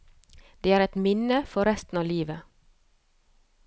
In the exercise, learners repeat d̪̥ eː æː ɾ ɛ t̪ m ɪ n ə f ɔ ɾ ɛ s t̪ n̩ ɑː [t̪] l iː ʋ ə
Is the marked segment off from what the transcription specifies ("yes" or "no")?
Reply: yes